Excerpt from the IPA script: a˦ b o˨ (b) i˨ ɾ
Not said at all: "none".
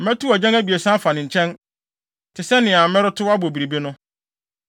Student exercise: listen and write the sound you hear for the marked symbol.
b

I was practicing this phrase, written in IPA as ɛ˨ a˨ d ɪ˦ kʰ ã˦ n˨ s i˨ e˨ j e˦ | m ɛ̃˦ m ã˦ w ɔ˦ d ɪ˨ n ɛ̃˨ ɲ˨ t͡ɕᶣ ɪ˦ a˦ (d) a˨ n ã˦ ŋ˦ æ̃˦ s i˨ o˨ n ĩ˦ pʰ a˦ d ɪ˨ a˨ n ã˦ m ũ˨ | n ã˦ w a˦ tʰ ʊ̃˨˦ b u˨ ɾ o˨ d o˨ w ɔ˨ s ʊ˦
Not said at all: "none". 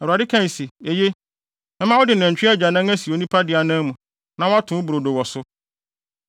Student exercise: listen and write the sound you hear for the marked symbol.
d͡ʑ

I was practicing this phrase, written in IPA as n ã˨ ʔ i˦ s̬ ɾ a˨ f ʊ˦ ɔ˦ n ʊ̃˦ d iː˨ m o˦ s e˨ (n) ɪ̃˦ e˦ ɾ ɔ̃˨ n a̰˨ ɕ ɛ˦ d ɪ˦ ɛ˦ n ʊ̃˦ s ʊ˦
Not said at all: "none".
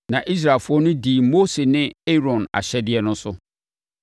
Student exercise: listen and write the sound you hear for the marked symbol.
n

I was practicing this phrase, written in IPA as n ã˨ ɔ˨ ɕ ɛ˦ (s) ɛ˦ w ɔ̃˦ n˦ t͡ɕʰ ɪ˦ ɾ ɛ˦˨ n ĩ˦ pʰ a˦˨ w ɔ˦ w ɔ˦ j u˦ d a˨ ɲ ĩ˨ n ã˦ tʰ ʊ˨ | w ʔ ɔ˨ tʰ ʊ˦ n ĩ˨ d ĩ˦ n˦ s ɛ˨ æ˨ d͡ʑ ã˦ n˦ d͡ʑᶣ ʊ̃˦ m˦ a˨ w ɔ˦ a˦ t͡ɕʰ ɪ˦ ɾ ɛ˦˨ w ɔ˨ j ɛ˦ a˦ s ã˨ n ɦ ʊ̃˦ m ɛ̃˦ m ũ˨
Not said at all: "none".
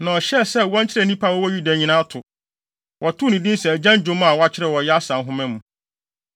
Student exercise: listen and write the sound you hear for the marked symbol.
s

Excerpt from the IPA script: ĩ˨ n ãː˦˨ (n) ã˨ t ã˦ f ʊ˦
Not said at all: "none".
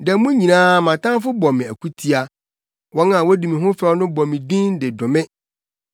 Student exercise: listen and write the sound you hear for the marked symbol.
m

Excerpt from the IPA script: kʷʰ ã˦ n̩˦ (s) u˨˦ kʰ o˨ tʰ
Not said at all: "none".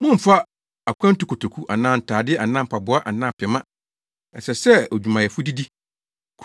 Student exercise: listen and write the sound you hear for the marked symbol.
t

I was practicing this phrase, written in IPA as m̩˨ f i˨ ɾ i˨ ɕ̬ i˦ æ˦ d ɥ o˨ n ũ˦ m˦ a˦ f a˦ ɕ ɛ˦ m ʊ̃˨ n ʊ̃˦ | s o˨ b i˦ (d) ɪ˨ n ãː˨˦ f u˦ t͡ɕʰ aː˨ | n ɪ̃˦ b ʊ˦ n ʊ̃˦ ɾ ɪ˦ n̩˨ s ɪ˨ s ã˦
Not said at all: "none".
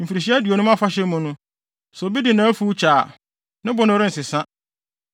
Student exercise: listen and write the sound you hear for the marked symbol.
d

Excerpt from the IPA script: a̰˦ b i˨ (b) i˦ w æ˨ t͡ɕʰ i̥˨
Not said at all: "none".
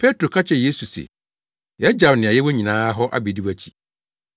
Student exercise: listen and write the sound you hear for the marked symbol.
d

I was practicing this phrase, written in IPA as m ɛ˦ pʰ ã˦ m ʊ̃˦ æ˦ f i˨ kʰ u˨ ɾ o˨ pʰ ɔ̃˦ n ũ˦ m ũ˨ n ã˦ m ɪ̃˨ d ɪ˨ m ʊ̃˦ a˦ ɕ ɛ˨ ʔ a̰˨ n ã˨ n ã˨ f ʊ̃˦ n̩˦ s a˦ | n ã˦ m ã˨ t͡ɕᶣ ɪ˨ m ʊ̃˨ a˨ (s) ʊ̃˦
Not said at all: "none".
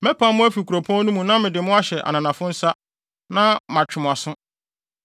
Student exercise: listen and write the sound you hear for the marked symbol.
s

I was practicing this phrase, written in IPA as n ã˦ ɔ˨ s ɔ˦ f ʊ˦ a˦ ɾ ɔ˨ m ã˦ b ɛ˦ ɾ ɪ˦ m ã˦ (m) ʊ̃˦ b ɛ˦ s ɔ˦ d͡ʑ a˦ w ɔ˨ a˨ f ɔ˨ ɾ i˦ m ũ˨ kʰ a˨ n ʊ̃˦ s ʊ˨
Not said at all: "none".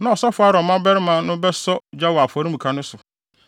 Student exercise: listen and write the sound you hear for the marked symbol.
n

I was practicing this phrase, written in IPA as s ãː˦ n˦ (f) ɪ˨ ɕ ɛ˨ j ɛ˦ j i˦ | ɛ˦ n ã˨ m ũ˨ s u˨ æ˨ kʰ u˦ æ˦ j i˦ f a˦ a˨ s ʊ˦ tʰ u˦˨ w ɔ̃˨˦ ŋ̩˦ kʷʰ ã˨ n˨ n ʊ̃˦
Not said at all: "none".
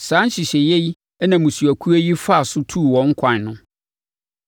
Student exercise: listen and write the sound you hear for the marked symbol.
ɕ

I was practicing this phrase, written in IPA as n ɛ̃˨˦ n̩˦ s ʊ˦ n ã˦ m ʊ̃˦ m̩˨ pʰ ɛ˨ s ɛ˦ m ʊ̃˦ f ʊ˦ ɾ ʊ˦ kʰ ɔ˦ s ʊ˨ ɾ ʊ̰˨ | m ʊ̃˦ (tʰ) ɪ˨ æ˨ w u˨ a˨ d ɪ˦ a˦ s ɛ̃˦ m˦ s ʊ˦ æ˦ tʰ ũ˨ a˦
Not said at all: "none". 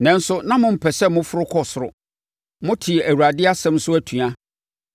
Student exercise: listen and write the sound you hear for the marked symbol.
tʰ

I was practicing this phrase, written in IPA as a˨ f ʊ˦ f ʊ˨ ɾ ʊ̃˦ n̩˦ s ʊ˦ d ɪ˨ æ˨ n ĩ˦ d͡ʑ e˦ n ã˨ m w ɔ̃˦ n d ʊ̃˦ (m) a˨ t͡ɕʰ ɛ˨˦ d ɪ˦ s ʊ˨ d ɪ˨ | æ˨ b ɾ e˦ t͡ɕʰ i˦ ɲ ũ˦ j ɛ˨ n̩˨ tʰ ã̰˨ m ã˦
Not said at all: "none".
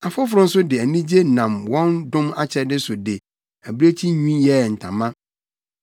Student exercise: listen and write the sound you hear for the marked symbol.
m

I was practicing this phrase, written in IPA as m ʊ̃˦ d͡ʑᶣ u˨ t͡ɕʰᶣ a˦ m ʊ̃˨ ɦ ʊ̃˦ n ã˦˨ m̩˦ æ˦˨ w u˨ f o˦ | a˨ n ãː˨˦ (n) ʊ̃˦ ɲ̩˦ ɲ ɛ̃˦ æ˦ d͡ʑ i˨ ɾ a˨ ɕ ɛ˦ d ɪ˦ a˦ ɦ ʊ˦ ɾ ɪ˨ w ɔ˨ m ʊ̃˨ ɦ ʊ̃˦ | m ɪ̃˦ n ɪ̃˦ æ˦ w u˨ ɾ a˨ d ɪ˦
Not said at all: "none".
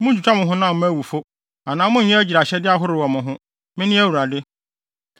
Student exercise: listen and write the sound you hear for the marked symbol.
m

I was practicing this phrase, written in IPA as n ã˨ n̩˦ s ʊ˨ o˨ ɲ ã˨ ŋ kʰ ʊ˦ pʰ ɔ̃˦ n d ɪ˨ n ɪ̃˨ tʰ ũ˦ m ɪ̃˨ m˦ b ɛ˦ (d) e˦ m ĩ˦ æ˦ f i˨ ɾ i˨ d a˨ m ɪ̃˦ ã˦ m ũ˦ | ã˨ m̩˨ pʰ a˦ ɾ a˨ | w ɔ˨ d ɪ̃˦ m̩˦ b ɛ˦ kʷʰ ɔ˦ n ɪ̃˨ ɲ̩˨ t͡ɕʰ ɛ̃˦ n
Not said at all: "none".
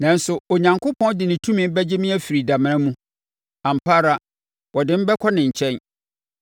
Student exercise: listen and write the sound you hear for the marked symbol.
d͡ʑ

